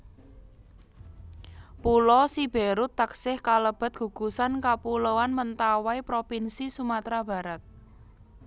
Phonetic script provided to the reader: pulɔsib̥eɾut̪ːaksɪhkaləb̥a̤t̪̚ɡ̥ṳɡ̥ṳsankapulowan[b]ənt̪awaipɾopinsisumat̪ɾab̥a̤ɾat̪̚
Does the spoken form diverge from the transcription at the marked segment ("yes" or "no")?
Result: yes